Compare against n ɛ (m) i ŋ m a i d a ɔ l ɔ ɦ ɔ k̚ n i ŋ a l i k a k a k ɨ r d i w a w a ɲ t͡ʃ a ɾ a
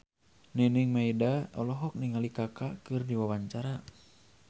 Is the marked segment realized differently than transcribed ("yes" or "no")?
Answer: yes